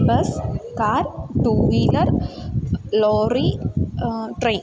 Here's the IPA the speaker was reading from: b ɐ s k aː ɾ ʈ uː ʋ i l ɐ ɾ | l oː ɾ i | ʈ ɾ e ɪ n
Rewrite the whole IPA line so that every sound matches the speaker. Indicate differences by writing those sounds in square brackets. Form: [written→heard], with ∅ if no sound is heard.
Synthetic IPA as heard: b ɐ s k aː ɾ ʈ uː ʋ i l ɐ ɾ | l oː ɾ i | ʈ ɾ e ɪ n